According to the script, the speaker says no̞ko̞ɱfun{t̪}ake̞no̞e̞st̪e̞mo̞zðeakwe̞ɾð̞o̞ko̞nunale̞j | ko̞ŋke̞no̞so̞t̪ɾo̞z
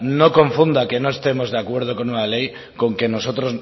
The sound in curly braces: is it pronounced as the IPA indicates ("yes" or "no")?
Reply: no